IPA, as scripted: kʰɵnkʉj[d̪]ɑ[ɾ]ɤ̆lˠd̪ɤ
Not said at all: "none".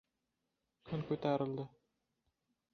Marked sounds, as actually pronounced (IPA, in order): t̪, ɾ

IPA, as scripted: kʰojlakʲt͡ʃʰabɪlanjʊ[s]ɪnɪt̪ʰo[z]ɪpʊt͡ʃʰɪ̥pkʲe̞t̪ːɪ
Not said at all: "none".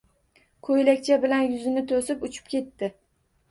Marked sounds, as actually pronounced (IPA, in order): z, s

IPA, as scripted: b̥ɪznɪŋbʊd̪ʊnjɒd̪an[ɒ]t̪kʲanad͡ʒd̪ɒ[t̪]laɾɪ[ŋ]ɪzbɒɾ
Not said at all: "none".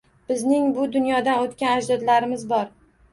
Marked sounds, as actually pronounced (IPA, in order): o, d̪, m

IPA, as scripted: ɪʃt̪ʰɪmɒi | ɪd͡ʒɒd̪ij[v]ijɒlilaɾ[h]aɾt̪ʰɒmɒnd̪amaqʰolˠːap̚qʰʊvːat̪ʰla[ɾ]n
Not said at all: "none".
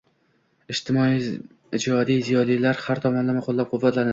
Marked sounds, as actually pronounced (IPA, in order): z, h, ɾ

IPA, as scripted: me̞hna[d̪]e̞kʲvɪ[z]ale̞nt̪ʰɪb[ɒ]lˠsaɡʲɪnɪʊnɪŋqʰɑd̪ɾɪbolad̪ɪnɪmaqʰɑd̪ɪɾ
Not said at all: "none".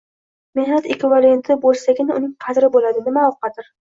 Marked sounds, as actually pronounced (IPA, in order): t̪, v, o

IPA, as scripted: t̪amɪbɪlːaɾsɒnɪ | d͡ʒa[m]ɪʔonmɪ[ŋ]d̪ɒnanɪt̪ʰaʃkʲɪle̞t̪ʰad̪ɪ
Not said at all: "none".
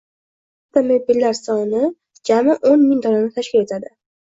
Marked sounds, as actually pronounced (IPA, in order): m, ŋ

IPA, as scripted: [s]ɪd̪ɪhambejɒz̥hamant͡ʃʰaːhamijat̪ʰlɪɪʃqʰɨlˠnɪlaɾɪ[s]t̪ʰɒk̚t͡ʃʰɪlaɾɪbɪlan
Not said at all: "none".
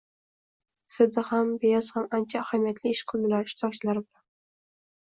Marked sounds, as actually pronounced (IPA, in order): s, ʃ

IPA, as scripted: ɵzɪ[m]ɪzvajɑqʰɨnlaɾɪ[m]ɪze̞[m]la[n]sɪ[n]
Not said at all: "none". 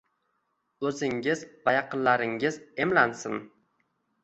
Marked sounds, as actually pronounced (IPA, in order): ŋ, ŋ, m, n, n

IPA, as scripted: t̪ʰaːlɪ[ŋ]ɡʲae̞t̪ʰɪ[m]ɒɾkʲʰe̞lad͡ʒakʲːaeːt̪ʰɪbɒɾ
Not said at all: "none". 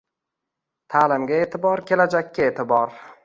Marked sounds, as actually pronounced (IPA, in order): m, b

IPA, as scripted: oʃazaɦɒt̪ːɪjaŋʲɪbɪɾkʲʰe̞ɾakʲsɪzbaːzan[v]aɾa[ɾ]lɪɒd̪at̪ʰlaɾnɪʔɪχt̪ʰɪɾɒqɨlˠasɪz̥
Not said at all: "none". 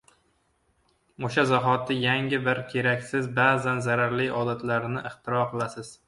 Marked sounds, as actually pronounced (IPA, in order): z, ɾ

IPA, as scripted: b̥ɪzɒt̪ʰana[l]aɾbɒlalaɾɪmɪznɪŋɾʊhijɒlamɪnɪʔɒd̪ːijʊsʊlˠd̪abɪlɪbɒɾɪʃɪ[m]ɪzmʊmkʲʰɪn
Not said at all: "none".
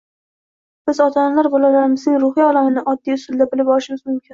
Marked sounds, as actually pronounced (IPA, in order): l, m

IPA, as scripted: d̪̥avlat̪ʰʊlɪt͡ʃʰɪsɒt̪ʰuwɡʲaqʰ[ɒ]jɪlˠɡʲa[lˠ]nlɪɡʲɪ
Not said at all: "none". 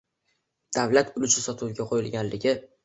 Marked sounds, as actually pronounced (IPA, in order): o, none

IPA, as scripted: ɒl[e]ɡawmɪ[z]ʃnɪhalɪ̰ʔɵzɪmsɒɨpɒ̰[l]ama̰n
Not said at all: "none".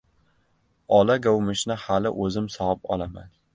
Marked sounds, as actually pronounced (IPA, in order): a, none, l

